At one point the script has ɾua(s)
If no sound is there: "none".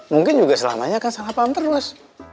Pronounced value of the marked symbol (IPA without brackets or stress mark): s